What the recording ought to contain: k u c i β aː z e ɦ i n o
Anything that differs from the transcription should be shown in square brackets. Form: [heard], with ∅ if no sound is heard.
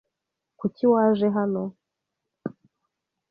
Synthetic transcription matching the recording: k u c i [w] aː [ʒ] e ɦ [a] n o